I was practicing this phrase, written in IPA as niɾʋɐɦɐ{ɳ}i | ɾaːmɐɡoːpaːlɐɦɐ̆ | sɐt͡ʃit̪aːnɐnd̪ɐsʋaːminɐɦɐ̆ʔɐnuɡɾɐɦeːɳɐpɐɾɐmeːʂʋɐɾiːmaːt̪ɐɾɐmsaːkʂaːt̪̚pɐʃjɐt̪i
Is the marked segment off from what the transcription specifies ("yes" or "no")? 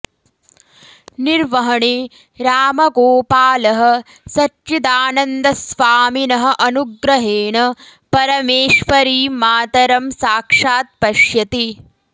no